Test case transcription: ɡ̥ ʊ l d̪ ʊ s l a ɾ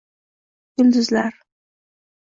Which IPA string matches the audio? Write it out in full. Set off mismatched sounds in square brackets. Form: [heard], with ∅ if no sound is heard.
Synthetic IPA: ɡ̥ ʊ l d̪ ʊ [z] l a ɾ